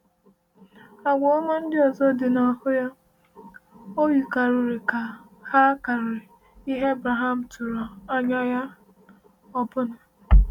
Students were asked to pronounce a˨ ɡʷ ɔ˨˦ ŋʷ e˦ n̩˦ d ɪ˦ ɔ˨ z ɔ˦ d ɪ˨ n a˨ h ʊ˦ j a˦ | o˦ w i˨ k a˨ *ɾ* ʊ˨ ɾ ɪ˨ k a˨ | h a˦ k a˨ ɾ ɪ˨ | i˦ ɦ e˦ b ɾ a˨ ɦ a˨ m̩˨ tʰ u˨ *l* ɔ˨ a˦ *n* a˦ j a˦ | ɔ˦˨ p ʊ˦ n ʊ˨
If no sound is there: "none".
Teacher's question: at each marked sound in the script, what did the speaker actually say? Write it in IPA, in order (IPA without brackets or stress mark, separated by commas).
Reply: ɾ, ɾ, ɲ